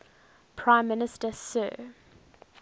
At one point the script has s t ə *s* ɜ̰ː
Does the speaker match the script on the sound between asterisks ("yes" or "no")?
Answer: yes